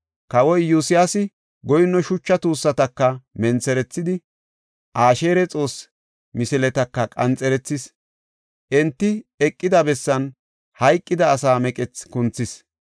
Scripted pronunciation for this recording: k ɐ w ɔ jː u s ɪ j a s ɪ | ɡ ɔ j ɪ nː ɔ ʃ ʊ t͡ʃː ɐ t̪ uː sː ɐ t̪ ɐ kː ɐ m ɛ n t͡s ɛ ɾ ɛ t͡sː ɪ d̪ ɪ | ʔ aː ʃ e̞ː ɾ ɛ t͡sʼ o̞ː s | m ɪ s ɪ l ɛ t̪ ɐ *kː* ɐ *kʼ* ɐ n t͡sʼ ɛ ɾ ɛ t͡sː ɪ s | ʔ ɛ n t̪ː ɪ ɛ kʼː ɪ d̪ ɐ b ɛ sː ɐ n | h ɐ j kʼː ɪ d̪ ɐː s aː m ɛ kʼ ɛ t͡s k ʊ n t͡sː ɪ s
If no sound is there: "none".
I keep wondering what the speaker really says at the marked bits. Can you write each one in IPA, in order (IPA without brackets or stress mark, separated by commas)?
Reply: kː, kʼ